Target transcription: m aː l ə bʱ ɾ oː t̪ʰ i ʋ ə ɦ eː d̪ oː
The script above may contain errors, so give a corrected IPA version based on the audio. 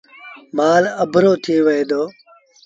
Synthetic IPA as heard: m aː l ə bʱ ɾ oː t̪ʰ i ʋ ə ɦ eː d̪ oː